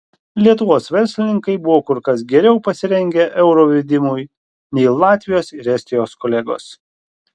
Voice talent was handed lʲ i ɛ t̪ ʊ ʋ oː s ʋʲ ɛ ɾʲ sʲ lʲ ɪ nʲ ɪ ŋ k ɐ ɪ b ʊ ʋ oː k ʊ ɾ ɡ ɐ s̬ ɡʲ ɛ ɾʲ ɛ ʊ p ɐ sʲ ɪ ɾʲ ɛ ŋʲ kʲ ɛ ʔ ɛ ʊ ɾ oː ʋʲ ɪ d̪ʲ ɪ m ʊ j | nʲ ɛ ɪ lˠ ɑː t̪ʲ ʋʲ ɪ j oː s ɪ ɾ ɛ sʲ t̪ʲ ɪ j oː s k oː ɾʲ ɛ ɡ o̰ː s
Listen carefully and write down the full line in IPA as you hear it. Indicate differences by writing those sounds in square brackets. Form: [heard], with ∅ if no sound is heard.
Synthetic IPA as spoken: lʲ i ɛ t̪ ʊ ʋ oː s ʋʲ ɛ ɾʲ sʲ lʲ ɪ nʲ ɪ ŋ k ɐ ɪ b ʊ ʋ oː k ʊ ɾ [k] ɐ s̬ ɡʲ ɛ ɾʲ ɛ ʊ p ɐ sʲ ɪ ɾʲ ɛ ŋʲ [ɡʲ] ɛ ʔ ɛ ʊ ɾ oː ʋʲ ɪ d̪ʲ ɪ m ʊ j | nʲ ɛ ɪ lˠ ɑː t̪ʲ ʋʲ ɪ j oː s ɪ ɾ ɛ sʲ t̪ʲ ɪ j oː s k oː [lʲ] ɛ ɡ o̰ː s

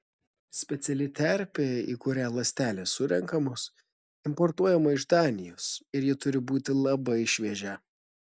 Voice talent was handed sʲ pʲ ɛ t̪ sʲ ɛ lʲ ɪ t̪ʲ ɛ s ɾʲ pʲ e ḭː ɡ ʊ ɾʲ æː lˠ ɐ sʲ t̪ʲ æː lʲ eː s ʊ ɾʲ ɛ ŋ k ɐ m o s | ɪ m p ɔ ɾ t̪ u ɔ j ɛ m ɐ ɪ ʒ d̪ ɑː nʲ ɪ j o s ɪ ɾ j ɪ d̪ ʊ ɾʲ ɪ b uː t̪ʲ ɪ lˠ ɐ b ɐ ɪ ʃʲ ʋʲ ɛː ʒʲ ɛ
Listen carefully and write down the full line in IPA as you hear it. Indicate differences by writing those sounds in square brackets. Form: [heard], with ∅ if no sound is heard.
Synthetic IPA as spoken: sʲ pʲ ɛ t̪ sʲ ɛ lʲ ɪ t̪ʲ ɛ [∅] ɾʲ pʲ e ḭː [k] ʊ ɾʲ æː lˠ ɐ sʲ t̪ʲ æː lʲ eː s ʊ ɾʲ ɛ ŋ k ɐ m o s | ɪ m p ɔ ɾ t̪ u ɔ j ɛ m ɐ ɪ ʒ d̪ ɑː nʲ ɪ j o s ɪ ɾ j ɪ [t̪] ʊ ɾʲ ɪ b uː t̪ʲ ɪ lˠ ɐ b ɐ ɪ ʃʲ ʋʲ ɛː ʒʲ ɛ

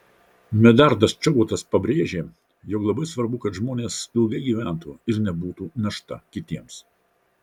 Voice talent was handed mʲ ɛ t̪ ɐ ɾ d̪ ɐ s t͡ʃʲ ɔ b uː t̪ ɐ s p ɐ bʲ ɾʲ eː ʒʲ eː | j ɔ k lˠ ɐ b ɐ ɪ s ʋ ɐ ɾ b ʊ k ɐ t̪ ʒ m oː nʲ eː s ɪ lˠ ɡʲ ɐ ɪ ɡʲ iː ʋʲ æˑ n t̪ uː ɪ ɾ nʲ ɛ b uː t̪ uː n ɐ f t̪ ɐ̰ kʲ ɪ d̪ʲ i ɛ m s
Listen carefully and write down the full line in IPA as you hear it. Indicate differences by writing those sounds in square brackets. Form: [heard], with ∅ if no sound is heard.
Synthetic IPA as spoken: mʲ ɛ [d̪] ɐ ɾ d̪ ɐ s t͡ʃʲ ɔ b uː t̪ ɐ s p ɐ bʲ ɾʲ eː ʒʲ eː | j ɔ k lˠ ɐ b ɐ ɪ s ʋ ɐ ɾ b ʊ k ɐ t̪ ʒ m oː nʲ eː s ɪ lˠ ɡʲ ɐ ɪ ɡʲ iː ʋʲ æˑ n t̪ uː ɪ ɾ nʲ ɛ b uː t̪ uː n ɐ [ʃ] t̪ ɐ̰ kʲ ɪ [t̪ʲ] i ɛ m s

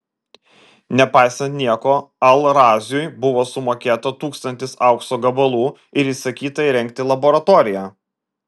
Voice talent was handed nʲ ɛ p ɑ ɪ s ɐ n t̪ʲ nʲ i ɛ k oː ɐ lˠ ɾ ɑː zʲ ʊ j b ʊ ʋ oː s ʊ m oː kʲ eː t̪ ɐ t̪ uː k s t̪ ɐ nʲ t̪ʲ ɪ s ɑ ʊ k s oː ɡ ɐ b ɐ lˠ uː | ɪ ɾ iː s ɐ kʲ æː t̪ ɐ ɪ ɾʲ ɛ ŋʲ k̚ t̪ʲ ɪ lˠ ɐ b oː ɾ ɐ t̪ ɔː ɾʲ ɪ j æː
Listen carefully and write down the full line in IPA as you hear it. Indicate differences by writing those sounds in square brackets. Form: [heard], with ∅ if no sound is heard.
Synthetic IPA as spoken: nʲ ɛ p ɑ ɪ s ɐ n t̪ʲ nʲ i ɛ k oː ɐ lˠ ɾ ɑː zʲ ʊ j b ʊ ʋ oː s ʊ m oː kʲ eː t̪ ɐ t̪ uː k s t̪ ɐ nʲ t̪ʲ ɪ s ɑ ʊ k s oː ɡ ɐ b ɐ lˠ uː | ɪ ɾ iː s ɐ kʲ [iː] t̪ ɐ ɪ ɾʲ ɛ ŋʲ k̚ t̪ʲ ɪ lˠ ɐ b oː ɾ ɐ t̪ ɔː ɾʲ ɪ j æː

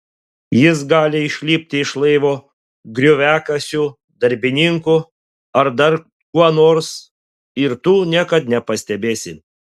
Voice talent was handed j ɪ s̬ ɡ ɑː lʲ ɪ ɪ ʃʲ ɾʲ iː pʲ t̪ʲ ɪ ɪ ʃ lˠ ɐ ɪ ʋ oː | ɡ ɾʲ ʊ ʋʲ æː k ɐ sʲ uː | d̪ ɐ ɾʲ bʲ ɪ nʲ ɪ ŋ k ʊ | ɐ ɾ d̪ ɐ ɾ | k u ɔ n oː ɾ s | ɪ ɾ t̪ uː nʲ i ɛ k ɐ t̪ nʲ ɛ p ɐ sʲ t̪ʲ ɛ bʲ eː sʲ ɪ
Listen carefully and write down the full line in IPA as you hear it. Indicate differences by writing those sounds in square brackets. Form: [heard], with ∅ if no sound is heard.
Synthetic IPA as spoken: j ɪ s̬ ɡ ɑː lʲ ɪ ɪ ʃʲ [lʲ] iː pʲ t̪ʲ ɪ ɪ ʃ lˠ ɐ ɪ ʋ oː | ɡ ɾʲ ʊ ʋʲ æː k ɐ sʲ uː | d̪ ɐ ɾʲ bʲ ɪ nʲ ɪ ŋ k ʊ | ɐ ɾ d̪ ɐ ɾ | k u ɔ n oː ɾ s | ɪ ɾ t̪ uː nʲ i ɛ k ɐ t̪ nʲ ɛ p ɐ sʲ t̪ʲ ɛ bʲ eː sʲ ɪ

